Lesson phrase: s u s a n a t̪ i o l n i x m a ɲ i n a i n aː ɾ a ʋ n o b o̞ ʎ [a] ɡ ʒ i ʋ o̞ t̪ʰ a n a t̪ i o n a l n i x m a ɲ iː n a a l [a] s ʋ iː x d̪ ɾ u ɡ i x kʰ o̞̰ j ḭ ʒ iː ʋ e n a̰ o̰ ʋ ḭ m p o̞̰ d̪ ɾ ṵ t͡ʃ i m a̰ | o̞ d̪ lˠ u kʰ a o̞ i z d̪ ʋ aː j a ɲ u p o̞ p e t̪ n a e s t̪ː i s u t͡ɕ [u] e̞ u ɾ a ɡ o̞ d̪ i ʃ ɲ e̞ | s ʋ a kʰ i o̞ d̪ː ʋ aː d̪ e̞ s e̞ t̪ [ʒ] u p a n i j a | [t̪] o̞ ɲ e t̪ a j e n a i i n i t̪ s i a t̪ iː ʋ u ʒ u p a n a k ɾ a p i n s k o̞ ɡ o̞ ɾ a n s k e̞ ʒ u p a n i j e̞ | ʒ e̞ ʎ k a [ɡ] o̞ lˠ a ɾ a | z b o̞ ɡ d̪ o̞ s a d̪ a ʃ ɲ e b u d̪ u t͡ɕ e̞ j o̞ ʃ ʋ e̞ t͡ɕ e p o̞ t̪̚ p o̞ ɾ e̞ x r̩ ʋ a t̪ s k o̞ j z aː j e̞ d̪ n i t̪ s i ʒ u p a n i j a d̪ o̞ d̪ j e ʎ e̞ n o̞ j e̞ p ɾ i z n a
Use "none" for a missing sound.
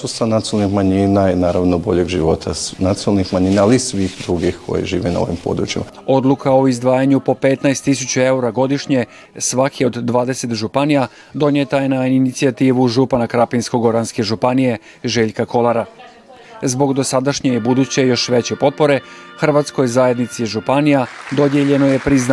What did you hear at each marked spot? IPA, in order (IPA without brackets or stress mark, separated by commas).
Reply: e, i, u, ʒ, d̪, k